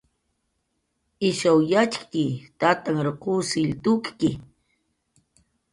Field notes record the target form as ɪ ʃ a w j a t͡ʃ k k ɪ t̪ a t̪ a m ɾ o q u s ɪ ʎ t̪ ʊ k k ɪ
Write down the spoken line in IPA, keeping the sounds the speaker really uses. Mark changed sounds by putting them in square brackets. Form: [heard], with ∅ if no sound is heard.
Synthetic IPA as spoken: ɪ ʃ a w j a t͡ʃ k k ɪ t̪ a t̪ a [ŋ] ɾ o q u s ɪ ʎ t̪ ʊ k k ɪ